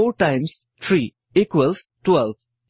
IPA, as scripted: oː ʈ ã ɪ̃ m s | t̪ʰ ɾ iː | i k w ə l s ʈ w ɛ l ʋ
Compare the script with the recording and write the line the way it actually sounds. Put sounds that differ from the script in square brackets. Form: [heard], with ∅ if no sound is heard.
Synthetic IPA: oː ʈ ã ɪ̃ m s | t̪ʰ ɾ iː | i k w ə l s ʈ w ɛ l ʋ

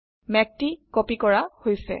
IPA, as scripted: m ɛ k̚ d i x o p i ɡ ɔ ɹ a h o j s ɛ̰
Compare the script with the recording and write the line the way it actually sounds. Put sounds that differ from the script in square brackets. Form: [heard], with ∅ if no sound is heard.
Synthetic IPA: m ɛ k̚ [t] i [k] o p i [k] ɔ ɹ a h o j s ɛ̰

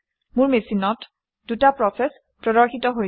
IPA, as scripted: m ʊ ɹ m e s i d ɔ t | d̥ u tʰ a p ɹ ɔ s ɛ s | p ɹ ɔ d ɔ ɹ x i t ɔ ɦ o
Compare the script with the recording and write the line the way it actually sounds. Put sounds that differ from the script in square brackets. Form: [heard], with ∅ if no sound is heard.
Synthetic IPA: m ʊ ɹ m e s i [n] ɔ t | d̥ u [t] a p ɹ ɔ s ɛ s | p ɹ ɔ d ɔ ɹ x i t ɔ ɦ o

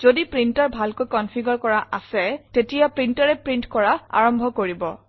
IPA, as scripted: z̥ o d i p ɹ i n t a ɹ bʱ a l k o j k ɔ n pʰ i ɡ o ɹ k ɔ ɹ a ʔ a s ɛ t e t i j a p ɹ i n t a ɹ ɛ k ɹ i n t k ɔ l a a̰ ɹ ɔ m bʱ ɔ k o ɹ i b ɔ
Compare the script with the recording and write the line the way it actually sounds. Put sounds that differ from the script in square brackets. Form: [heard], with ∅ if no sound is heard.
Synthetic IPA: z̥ o d i p ɹ i n t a ɹ bʱ a l k o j k ɔ n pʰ i ɡ [ɔ] ɹ k ɔ ɹ a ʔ a s ɛ t e t i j a p ɹ i n t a ɹ ɛ [p] ɹ i n t k ɔ [ɹ] a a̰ ɹ ɔ m bʱ ɔ k o ɹ i b ɔ

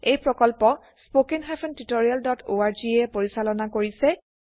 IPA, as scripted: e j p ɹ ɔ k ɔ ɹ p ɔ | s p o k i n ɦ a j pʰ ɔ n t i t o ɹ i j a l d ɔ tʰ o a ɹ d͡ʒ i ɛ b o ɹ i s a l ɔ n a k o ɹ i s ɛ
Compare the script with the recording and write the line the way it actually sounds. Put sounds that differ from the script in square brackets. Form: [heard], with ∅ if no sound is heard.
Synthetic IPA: e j p ɹ ɔ k ɔ [l] p ɔ | s p o k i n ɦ a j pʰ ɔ n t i t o ɹ i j a l d ɔ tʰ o a ɹ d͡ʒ i ɛ [p] o ɹ i s a l ɔ n a k o ɹ i s ɛ

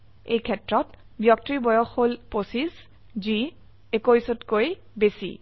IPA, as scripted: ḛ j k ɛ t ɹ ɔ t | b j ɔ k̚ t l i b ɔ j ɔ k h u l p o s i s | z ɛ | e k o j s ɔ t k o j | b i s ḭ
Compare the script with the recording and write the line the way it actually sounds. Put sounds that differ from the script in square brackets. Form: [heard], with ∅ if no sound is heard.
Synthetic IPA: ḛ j [kʰ] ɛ t ɹ ɔ t | b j ɔ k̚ t [ɹ] i b ɔ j ɔ [x] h [o] l p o s i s | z [i] | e k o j s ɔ t k o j | b [e] s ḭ

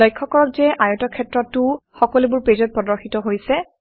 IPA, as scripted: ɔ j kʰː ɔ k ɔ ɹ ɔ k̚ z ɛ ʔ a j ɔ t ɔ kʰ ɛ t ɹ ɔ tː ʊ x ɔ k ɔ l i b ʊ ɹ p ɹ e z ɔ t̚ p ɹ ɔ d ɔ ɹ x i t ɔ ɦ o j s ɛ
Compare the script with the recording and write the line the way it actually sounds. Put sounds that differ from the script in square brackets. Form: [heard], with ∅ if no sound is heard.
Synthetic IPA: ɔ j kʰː ɔ k ɔ ɹ ɔ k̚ z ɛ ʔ a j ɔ t ɔ kʰ ɛ t ɹ ɔ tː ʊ x ɔ k ɔ l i b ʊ ɹ p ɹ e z ɔ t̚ p ɹ ɔ d ɔ ɹ x i t ɔ ɦ o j s ɛ

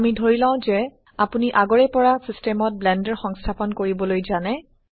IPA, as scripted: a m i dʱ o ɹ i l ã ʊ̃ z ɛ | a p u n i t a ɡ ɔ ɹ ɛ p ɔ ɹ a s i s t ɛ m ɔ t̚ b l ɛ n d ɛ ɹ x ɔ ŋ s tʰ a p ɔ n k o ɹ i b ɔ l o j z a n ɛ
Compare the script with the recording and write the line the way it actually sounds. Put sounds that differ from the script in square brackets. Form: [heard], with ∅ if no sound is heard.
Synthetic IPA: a m i dʱ o ɹ i l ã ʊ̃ z ɛ | a p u n i [ʔ] a ɡ ɔ ɹ ɛ p ɔ ɹ a s i s t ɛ m ɔ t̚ b l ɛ n d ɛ ɹ x ɔ ŋ s tʰ a p ɔ n k o ɹ i b ɔ l o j z a n ɛ

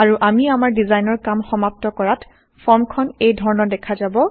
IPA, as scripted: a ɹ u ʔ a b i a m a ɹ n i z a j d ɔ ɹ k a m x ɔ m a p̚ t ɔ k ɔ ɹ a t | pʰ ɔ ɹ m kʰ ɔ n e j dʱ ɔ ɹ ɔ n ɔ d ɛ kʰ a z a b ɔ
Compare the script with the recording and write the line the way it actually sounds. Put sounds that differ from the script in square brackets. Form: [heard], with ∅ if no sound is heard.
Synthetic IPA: a ɹ u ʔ a [m] i a m a ɹ [d] i z a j [n] ɔ ɹ k a m x ɔ m a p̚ t ɔ k ɔ ɹ a t | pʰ ɔ ɹ m kʰ ɔ n e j dʱ ɔ ɹ ɔ n ɔ d ɛ kʰ a z a b ɔ

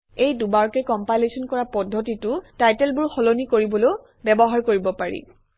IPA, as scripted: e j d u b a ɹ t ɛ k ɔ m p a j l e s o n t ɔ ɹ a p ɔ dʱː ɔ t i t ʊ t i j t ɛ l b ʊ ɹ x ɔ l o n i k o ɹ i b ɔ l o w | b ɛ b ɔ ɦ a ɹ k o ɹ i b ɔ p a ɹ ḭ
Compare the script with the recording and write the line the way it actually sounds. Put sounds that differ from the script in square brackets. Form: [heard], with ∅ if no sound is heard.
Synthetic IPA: e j d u b a ɹ [k] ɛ k ɔ m p a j l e s [ɔ] n [k] ɔ ɹ a p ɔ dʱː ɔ t i t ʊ t [a] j t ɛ l b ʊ ɹ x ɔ l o n i k o ɹ i b ɔ l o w | b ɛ b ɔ ɦ a ɹ k o ɹ i b ɔ p a ɹ ḭ

